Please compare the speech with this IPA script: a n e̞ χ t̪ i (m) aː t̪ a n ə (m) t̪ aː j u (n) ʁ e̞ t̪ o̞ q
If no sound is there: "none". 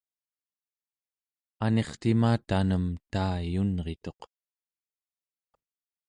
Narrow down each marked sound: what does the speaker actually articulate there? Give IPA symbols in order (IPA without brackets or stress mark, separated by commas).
m, m, n